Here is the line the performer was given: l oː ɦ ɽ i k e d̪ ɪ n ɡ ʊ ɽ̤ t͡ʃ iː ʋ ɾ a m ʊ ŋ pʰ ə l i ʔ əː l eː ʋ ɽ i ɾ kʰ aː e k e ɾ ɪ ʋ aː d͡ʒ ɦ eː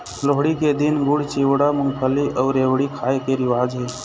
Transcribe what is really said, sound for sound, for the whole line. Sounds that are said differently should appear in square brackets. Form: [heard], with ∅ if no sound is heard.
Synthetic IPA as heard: l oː ɦ ɽ i k e d̪ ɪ n ɡ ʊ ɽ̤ t͡ʃ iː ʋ [ɽ] a m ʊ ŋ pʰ ə l i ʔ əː [ɾ] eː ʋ ɽ i [∅] kʰ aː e k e ɾ ɪ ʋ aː d͡ʒ ɦ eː